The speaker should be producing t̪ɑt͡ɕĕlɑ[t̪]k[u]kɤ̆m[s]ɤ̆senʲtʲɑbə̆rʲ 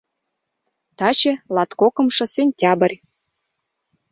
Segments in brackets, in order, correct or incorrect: correct, incorrect, incorrect

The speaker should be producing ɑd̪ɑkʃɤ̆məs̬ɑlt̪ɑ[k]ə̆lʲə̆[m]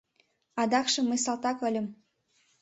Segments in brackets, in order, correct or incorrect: correct, correct

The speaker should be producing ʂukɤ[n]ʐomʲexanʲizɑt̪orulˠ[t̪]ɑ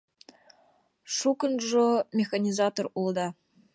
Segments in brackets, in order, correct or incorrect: correct, incorrect

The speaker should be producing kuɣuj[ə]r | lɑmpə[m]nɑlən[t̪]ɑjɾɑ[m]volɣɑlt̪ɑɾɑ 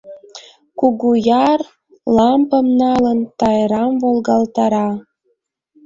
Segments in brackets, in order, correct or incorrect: incorrect, correct, correct, correct

